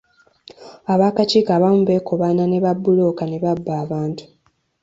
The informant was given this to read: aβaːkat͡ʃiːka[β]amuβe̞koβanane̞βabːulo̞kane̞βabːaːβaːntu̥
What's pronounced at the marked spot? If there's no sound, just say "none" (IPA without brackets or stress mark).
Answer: β